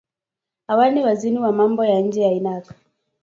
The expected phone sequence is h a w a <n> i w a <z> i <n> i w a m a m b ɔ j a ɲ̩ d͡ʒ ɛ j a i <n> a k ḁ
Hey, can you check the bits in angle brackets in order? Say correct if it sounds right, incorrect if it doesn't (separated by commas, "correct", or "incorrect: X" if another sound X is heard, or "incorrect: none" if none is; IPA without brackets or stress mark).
correct, correct, correct, correct